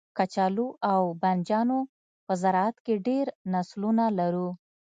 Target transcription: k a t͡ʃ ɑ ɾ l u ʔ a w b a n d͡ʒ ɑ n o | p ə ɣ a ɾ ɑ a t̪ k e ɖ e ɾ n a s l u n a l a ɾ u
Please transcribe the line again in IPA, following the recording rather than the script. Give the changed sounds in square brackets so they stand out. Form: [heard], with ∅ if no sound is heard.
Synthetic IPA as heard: k a t͡ʃ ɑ [∅] l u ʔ a w b a n d͡ʒ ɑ n o | p ə [z] a ɾ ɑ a t̪ k e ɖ e ɾ n a s l u n a l a ɾ u